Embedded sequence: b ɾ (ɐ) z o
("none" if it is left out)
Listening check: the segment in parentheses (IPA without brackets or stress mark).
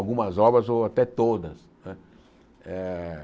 ɐ